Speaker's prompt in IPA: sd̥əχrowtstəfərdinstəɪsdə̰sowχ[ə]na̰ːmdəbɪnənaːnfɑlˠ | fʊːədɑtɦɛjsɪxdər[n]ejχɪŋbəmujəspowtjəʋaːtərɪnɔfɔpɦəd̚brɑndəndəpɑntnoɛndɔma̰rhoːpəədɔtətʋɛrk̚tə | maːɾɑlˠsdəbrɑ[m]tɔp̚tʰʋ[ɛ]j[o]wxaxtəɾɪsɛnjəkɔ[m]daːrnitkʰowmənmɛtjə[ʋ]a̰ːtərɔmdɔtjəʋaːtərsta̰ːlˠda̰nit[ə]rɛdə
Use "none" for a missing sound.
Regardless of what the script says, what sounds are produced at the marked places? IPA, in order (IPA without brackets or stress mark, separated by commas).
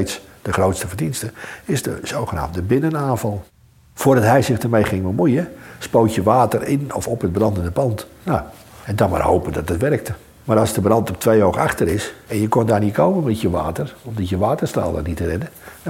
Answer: ə, m, n, e, o, n, ʋ, ə